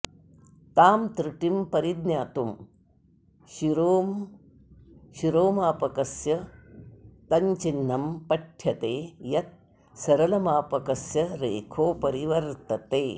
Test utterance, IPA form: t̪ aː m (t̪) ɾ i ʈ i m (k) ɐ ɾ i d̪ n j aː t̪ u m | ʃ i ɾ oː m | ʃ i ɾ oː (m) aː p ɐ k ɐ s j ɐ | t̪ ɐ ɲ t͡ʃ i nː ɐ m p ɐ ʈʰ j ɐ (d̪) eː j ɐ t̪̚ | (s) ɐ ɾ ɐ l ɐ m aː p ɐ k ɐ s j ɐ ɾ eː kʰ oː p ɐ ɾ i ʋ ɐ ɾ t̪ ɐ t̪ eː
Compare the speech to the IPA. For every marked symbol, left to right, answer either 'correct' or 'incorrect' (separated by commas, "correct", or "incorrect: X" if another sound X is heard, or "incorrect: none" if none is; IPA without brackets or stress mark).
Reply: correct, incorrect: p, correct, incorrect: t̪, correct